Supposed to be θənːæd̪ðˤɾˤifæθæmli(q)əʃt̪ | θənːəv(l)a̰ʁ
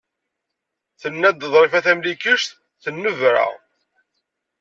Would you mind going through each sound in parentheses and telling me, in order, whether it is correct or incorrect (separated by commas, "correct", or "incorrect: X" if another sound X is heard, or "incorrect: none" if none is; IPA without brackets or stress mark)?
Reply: incorrect: k, incorrect: ɾ